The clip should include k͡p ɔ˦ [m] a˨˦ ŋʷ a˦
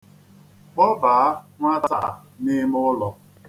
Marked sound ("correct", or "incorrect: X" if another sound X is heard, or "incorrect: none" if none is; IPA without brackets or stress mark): incorrect: b